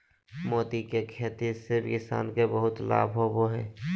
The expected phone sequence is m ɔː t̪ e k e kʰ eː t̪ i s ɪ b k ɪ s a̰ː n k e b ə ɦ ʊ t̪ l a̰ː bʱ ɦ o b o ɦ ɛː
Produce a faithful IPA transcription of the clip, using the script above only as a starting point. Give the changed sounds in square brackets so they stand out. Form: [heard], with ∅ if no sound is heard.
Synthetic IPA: m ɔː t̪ [i] k e kʰ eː t̪ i s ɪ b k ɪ s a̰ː n k e b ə ɦ ʊ t̪ l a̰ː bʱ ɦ o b o ɦ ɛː